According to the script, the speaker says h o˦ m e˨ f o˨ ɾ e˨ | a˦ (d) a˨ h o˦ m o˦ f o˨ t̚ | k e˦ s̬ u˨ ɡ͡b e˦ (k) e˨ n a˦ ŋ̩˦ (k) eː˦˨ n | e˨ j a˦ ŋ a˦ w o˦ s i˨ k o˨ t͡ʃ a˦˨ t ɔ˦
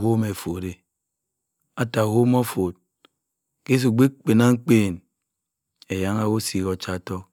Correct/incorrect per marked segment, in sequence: incorrect, incorrect, incorrect

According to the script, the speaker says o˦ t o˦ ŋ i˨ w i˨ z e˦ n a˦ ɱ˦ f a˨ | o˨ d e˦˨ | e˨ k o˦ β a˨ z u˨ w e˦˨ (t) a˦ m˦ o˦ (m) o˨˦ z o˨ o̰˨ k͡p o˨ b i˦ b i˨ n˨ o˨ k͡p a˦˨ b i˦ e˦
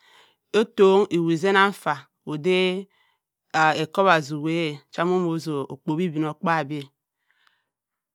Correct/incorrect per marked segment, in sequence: incorrect, correct

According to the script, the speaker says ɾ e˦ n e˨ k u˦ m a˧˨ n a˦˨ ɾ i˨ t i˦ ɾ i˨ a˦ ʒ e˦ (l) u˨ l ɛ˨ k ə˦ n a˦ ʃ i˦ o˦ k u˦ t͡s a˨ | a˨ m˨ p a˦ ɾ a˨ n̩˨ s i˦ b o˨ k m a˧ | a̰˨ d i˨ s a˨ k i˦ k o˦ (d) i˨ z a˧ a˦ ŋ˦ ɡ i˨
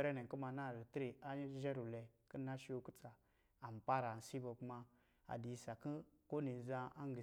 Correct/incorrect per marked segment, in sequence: incorrect, incorrect

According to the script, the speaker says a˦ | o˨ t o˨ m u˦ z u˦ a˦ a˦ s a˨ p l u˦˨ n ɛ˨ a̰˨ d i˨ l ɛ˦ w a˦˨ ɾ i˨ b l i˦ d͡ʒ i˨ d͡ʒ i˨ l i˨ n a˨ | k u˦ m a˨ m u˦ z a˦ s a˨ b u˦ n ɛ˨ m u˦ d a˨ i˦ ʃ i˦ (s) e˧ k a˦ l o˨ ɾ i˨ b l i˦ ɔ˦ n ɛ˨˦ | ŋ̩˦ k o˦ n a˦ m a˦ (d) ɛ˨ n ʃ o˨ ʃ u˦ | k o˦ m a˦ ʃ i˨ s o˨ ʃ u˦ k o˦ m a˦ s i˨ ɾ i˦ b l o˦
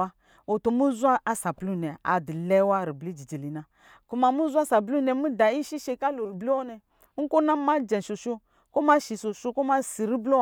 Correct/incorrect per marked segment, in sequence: incorrect, incorrect

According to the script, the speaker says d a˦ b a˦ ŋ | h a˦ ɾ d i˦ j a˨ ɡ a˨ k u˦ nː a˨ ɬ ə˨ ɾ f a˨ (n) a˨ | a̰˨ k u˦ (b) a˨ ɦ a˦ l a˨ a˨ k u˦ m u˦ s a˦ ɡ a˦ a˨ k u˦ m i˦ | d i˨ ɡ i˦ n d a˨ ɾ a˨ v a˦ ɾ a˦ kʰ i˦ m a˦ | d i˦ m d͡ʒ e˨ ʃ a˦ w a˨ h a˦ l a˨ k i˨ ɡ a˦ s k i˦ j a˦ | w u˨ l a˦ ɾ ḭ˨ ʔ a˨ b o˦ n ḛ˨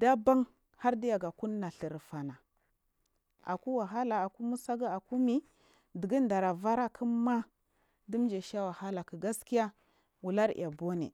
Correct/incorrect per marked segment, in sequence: correct, incorrect

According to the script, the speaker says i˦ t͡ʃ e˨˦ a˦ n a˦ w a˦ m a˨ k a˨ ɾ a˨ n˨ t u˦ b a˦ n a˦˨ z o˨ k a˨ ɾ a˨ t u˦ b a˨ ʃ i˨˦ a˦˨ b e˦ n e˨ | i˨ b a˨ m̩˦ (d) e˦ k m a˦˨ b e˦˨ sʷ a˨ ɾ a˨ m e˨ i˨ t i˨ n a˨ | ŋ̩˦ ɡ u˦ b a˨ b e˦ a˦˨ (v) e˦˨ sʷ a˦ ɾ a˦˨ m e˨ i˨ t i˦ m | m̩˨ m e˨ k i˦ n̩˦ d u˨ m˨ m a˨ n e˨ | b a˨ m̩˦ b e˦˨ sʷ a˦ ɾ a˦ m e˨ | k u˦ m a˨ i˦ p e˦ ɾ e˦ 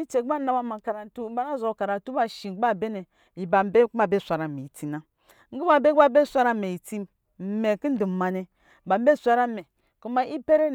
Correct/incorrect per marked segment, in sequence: incorrect, incorrect

